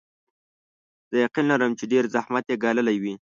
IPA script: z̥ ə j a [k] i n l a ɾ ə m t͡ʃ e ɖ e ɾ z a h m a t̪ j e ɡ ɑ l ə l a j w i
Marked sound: incorrect: q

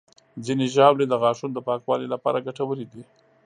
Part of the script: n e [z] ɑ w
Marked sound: incorrect: ʒ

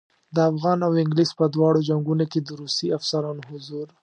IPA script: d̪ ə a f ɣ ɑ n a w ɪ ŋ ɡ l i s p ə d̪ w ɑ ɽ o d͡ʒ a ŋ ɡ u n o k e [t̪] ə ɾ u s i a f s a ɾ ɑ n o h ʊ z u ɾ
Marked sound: incorrect: d̪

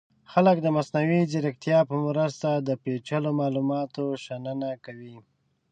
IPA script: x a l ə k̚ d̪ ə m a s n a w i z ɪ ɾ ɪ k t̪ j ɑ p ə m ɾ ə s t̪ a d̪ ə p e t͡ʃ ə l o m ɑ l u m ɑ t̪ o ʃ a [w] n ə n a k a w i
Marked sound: incorrect: none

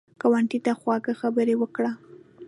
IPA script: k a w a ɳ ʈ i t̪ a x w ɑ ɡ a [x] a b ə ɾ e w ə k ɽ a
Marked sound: correct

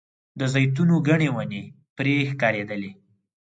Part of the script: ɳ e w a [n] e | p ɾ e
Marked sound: correct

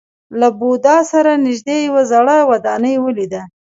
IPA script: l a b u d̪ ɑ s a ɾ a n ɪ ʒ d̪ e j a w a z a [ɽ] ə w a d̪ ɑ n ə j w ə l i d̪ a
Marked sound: correct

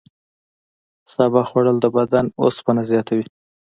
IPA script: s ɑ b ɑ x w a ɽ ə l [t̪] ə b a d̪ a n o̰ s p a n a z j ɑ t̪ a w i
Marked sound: incorrect: d̪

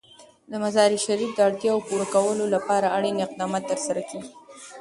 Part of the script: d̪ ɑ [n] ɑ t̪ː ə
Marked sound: incorrect: m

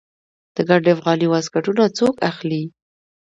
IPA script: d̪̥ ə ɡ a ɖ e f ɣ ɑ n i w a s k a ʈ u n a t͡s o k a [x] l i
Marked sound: correct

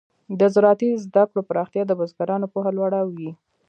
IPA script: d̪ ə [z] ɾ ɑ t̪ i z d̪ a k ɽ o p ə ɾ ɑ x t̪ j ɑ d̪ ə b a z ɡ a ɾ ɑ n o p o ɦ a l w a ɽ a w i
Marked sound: correct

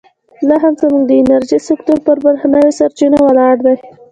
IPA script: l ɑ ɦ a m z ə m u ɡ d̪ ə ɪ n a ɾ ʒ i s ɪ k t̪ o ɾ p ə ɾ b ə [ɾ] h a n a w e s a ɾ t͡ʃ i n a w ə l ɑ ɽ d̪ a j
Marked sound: correct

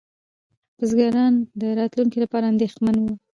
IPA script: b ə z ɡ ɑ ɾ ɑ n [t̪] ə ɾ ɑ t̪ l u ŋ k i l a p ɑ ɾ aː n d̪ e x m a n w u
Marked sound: incorrect: d̪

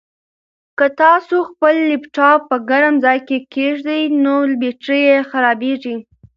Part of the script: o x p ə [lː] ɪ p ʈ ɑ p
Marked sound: correct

